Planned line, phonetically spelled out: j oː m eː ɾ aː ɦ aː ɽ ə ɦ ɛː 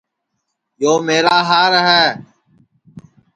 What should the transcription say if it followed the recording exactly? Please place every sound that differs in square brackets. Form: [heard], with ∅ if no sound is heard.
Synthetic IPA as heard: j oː m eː ɾ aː ɦ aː [ɾ] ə ɦ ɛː

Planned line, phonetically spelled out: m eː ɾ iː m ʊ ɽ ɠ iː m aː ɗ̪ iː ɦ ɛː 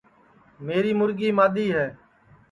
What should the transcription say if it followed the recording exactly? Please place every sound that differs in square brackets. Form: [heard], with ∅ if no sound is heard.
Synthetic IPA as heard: m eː ɾ iː m ʊ [ɾ] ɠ iː m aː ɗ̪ iː ɦ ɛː

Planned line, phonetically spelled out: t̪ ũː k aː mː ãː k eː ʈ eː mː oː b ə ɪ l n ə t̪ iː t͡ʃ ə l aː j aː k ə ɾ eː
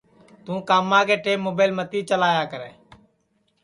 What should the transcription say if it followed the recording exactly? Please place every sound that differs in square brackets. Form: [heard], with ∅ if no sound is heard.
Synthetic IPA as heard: t̪ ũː k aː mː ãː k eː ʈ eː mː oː b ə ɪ l [m] ə t̪ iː t͡ʃ ə l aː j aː k ə ɾ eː

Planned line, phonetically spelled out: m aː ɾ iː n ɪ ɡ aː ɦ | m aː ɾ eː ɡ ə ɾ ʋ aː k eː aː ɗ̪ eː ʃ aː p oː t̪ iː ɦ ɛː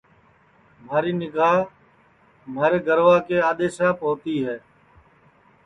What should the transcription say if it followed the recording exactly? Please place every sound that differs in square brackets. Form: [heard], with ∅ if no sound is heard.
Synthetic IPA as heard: m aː ɾ iː n ɪ ɡ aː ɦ | m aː ɾ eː ɡ ə ɾ ʋ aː k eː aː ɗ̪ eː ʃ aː p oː t̪ iː ɦ ɛː

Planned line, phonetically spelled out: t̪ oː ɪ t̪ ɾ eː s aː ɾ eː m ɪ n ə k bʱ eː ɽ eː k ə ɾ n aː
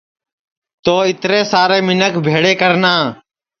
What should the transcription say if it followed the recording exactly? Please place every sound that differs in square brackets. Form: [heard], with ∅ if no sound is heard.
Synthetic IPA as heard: t̪ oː ɪ t̪ ɾ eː s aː ɾ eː m ɪ n ə k bʱ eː ɽ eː k ə ɾ n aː

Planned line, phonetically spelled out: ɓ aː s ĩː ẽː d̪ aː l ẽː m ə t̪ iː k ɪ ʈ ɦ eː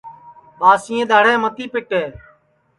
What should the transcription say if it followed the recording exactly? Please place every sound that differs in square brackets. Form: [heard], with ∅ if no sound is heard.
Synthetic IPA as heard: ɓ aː s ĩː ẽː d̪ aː [ɽ] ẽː m ə t̪ iː [p] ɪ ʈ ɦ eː

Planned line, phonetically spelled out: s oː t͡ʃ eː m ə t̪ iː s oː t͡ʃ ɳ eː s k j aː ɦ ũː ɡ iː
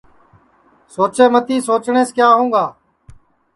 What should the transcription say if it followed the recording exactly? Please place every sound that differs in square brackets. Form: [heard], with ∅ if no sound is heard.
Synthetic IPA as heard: s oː t͡ʃ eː m ə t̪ iː s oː t͡ʃ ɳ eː s k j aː ɦ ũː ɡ [aː]

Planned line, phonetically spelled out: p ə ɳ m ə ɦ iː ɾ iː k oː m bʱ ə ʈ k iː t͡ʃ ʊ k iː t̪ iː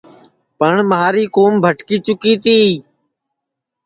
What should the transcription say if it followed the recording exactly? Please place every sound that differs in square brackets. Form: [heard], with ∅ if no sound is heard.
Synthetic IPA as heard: p ə ɳ m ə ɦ [aː] ɾ iː k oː m bʱ ə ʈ k iː t͡ʃ ʊ k iː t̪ iː

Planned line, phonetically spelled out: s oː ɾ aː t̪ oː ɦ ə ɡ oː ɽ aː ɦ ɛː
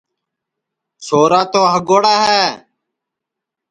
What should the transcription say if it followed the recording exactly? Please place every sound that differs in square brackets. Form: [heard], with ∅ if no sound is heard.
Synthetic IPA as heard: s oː ɾ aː t̪ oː ɦ ə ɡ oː ɽ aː ɦ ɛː

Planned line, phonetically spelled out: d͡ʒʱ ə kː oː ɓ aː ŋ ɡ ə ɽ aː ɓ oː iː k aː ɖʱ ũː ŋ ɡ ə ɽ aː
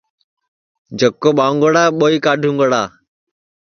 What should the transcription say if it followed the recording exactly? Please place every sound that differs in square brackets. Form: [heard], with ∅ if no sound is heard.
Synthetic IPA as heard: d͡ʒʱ ə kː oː ɓ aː ŋ ɡ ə ɽ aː ɓ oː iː k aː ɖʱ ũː ŋ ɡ ə ɽ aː

